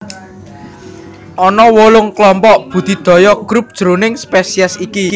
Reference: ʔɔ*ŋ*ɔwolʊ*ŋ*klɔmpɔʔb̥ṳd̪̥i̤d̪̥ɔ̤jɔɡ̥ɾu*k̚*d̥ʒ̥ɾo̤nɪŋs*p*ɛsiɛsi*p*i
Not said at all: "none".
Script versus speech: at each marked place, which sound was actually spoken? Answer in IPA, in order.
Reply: n, ŋ, p̚, p, k

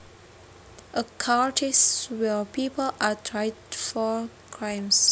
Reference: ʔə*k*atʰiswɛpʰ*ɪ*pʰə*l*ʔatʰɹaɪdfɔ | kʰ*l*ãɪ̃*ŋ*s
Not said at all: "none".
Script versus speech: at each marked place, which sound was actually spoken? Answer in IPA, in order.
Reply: kʰ, i, l, ɹ, m

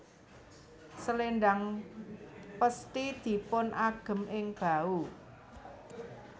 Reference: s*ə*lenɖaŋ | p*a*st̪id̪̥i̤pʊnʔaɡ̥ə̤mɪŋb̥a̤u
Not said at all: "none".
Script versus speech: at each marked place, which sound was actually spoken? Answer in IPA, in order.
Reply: ə, ə

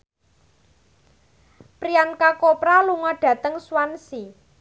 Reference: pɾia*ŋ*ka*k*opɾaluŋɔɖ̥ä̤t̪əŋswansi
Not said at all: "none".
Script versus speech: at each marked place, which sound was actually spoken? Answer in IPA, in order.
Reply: n, k

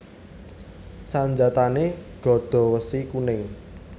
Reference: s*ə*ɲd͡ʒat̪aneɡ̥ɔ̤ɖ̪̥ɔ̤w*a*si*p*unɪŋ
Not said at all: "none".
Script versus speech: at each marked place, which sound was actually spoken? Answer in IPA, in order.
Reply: a, ə, k

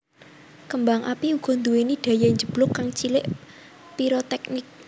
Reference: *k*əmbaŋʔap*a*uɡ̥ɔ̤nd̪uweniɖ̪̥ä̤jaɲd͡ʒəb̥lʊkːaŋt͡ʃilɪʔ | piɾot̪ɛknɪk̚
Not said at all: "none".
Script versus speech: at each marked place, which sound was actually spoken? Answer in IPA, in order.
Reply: k, i

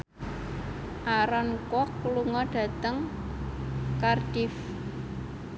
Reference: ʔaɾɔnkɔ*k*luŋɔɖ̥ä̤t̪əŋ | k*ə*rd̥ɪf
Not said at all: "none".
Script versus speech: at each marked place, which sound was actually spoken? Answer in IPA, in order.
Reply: k, a

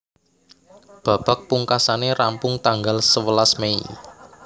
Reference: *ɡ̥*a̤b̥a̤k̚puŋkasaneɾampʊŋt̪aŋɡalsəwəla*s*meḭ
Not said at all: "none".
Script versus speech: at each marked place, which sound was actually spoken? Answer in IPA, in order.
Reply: b̥, s

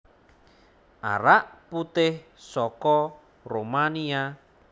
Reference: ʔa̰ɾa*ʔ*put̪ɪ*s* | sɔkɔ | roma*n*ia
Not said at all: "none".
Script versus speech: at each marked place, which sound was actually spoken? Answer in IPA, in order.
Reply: ʔ, h, n

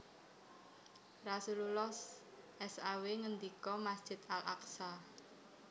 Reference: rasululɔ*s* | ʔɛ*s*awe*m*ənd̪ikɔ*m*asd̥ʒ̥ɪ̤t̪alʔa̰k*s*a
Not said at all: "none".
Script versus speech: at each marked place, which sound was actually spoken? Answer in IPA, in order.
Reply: s, s, ŋ, m, s

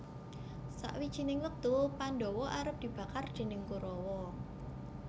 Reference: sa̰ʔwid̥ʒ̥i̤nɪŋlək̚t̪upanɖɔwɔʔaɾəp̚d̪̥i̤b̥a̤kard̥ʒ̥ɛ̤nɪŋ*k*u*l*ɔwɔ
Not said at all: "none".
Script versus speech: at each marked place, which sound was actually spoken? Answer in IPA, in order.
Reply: k, ɾ

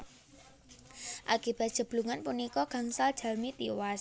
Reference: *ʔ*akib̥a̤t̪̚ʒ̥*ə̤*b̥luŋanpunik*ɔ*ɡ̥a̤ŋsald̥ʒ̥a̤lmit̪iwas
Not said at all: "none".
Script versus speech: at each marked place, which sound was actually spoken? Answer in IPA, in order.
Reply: ʔ, ə̤, ɔ

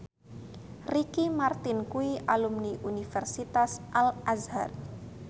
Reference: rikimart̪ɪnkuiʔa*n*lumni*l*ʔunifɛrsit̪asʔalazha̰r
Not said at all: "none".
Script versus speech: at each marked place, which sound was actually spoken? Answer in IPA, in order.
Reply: none, none

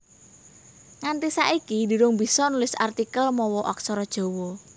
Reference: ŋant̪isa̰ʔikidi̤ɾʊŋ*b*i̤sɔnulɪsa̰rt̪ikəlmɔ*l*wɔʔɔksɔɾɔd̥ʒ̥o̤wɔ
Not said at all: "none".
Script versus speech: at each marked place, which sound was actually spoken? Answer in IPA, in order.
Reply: b, none

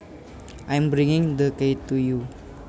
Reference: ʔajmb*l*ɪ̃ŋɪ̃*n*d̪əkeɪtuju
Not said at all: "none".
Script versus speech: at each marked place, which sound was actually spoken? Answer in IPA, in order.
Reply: ɾ, ŋ

